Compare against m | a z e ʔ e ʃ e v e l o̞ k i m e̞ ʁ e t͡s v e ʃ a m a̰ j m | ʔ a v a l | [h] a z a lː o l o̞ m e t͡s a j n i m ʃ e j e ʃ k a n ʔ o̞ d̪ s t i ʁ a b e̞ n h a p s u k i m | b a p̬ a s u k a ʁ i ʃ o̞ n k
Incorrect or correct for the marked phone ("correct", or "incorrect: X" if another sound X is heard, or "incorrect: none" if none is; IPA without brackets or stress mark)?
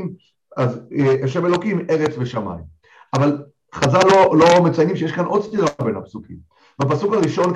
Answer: incorrect: χ